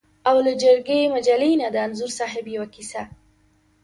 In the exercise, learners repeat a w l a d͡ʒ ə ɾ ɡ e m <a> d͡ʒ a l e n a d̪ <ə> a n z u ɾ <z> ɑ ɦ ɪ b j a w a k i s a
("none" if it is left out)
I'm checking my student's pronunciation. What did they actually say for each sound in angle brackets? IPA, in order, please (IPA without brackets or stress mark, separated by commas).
a, ə, s